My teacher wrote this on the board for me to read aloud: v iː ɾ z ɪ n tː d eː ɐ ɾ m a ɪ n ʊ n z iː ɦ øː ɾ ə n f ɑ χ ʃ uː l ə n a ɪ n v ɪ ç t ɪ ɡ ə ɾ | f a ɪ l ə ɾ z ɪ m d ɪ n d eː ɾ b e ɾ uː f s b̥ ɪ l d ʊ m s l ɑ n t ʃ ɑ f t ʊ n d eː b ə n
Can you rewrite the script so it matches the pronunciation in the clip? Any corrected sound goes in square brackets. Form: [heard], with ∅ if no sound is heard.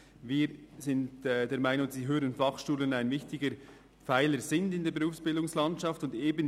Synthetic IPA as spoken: v iː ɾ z ɪ n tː d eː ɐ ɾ m a ɪ n ʊ [ŋ] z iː ɦ øː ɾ ə n f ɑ χ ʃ uː l ə n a ɪ n v ɪ ç t ɪ ɡ ə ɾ | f a ɪ l ə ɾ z ɪ [n] d ɪ n d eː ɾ b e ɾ uː f s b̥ ɪ l d ʊ [ŋ] s l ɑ n t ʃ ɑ f t ʊ n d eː b ə n